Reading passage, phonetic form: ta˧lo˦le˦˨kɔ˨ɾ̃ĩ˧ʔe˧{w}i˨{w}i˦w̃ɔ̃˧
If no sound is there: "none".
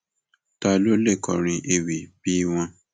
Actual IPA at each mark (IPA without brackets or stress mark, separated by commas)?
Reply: w, b